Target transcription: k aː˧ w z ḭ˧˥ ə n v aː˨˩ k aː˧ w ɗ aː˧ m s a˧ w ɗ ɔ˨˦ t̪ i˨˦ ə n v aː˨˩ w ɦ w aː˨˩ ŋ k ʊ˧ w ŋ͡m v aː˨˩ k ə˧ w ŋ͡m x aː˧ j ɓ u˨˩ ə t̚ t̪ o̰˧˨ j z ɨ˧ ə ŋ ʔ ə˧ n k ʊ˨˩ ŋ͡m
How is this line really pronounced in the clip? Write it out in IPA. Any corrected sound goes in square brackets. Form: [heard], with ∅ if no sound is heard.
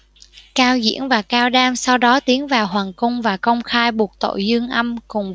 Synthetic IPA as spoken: k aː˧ w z ḭ˧˥ ə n v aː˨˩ k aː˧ w ɗ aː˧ m s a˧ w ɗ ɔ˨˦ t̪ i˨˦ ə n v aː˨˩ w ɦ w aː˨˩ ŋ k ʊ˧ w ŋ͡m v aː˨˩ k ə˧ w ŋ͡m x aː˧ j ɓ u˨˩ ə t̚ t̪ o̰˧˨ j z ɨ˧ ə ŋ ʔ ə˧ [m] k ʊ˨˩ ŋ͡m